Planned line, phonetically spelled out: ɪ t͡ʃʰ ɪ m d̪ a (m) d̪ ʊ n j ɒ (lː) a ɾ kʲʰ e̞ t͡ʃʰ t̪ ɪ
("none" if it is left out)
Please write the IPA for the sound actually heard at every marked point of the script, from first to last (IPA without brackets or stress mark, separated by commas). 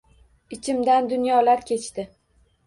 n, l